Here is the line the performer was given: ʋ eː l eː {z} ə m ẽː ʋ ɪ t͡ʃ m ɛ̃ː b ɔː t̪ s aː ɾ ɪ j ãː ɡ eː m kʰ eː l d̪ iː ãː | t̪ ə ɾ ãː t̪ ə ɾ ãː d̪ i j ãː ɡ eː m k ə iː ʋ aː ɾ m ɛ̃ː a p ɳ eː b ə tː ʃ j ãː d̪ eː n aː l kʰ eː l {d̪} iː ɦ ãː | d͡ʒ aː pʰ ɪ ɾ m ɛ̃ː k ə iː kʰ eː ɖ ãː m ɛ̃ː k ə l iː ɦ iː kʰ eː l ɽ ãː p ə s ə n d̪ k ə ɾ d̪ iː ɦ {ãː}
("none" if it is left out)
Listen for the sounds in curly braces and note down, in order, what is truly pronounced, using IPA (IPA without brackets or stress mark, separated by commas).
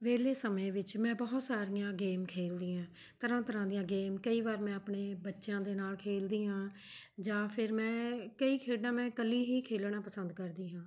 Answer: s, d̪, ãː